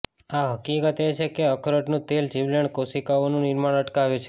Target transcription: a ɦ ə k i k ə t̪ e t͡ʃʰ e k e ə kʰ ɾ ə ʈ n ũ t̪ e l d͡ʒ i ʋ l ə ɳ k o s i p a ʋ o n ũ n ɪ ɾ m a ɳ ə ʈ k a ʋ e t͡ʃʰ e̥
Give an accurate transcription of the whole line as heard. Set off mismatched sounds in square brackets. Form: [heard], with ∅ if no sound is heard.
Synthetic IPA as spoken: a ɦ ə k i k ə t̪ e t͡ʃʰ e k e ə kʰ ɾ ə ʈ n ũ t̪ e l d͡ʒ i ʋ l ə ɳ k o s i [k] a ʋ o n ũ n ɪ ɾ m a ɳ ə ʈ k a ʋ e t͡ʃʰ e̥